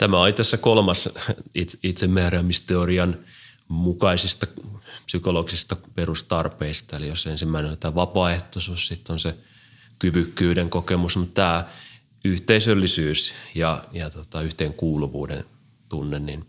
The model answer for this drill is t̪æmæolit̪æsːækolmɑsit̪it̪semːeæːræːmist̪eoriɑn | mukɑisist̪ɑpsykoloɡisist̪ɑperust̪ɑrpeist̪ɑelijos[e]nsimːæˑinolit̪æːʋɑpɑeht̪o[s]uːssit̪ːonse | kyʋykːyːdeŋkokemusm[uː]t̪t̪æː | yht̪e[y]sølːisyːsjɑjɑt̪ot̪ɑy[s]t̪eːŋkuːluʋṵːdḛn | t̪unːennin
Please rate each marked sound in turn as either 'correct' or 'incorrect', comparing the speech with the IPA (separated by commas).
correct, correct, incorrect, incorrect, incorrect